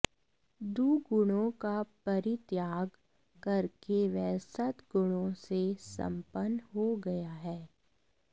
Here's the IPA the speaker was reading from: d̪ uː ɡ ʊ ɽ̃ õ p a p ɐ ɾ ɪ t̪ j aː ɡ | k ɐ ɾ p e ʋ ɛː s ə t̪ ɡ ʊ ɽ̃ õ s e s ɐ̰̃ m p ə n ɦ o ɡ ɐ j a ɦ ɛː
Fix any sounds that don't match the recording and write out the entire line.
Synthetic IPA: d̪ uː ɡ ʊ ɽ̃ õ k a p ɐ ɾ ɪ t̪ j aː ɡ | k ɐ ɾ k e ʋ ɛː s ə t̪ ɡ ʊ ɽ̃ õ s e s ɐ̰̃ m p ə n ɦ o ɡ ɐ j a ɦ ɛː